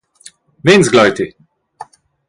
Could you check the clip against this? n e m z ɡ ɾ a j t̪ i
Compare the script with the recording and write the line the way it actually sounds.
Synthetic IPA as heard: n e n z ɡ l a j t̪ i